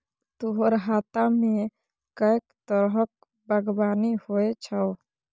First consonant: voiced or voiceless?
voiceless